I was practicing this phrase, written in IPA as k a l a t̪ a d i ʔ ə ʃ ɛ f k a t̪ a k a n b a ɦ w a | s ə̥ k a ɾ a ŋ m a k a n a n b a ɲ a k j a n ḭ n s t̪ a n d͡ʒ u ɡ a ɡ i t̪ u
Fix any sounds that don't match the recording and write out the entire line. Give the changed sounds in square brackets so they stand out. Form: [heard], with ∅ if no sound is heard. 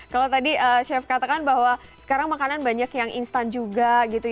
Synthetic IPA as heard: k a l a t̪ a d i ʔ ə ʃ ɛ f k a t̪ a k a n b a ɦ w a | s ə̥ k a ɾ a ŋ m a k a n a n b a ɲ a k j a [ŋ] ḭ n s t̪ a n d͡ʒ u ɡ a ɡ i t̪ u